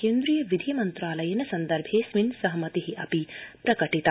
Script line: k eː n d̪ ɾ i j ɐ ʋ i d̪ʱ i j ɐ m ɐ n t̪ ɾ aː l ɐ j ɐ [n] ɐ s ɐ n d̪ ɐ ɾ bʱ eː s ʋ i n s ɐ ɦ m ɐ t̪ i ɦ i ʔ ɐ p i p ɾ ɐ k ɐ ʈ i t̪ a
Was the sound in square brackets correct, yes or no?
yes